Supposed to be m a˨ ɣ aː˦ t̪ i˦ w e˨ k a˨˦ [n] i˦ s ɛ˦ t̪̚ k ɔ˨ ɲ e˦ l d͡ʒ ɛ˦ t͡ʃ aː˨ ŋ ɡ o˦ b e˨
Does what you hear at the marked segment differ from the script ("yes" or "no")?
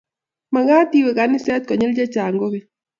no